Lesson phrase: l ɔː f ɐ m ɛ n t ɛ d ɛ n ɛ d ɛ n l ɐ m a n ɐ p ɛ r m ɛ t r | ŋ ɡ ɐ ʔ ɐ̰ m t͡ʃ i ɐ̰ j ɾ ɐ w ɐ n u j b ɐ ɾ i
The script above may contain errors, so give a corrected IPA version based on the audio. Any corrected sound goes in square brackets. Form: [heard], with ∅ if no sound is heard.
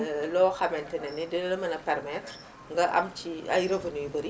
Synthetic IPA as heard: l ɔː [x] ɐ m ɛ n t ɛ [n] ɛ n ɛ d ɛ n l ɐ m [ɐ] n ɐ p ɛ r m ɛ t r | ŋ ɡ ɐ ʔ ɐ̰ m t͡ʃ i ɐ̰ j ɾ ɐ [v] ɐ n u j b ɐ ɾ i